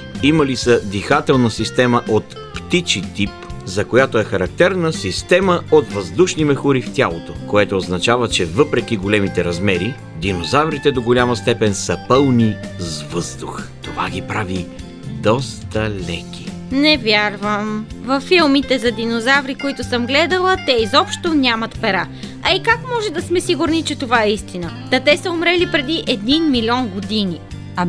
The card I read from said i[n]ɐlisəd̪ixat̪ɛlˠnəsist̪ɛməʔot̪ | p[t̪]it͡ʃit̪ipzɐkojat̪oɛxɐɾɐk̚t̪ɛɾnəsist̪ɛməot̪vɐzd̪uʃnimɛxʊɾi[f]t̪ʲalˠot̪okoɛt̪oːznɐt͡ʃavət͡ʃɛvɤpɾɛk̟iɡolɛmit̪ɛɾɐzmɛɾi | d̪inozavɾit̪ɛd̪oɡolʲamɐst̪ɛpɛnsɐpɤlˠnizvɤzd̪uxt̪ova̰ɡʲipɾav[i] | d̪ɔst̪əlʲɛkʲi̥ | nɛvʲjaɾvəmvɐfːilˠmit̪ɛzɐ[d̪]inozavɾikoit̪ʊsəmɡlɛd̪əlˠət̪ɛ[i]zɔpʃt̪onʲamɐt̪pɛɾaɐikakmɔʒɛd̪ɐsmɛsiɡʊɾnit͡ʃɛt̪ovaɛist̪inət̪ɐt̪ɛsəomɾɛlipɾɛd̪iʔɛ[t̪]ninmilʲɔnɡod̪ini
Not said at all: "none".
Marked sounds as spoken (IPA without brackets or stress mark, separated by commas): m, t̪, f, i, d̪, i, d̪